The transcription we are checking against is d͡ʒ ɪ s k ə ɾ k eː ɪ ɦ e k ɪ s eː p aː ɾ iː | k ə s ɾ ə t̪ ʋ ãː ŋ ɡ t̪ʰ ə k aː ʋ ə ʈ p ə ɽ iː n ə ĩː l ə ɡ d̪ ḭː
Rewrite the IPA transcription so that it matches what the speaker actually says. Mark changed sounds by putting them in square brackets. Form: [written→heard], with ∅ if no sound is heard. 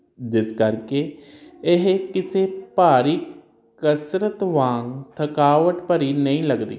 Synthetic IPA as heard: d͡ʒ ɪ s k ə ɾ k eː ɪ ɦ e k ɪ s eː p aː ɾ iː | k ə s ɾ ə t̪ ʋ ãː ŋ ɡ t̪ʰ ə k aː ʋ ə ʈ p ə [ɽ→ɾ] iː n ə ĩː l ə ɡ d̪ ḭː